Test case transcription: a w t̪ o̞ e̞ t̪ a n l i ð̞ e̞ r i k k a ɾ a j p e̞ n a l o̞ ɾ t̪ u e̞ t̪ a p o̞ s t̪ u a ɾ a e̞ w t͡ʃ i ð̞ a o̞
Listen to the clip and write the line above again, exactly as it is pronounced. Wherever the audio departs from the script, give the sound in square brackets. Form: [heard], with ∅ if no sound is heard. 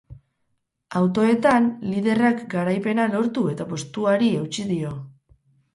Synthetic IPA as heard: a w t̪ o̞ e̞ t̪ a n l i ð̞ e̞ r [a] k [ɡ] a ɾ a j p e̞ n a l o̞ ɾ t̪ u e̞ t̪ a p o̞ s t̪ u a ɾ [i] e̞ w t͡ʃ i ð̞ [i] o̞